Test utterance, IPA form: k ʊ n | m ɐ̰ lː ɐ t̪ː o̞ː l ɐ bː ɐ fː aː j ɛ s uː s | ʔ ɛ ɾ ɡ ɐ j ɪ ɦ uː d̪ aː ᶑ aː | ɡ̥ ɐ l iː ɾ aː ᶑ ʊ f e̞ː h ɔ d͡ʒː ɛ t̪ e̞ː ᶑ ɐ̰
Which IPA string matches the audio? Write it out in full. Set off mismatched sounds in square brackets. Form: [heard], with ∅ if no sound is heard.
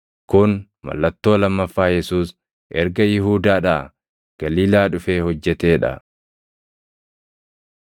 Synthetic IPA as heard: k ʊ n | m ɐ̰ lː ɐ t̪ː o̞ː l ɐ [mː] ɐ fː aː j ɛ s uː s | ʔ ɛ ɾ ɡ ɐ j ɪ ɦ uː d̪ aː ᶑ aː | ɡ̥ ɐ l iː [l] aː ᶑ ʊ f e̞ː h ɔ d͡ʒː ɛ t̪ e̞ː ᶑ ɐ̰